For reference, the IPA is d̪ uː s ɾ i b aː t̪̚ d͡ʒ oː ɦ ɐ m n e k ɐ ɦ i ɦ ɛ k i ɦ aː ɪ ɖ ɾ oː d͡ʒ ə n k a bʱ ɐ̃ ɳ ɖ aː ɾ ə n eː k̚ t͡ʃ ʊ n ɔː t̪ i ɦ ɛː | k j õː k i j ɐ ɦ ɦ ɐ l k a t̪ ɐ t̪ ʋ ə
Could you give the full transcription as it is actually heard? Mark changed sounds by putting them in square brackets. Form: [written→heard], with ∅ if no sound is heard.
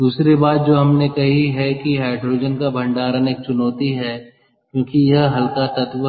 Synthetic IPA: d̪ uː s ɾ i b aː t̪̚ d͡ʒ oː ɦ ɐ m n e k ɐ ɦ i ɦ ɛ k i ɦ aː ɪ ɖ ɾ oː d͡ʒ ə n k a bʱ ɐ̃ ɳ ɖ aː ɾ ə n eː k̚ t͡ʃ ʊ n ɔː t̪ i ɦ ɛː | k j õː k i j ɐ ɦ ɦ ɐ l k a t̪ ɐ t̪ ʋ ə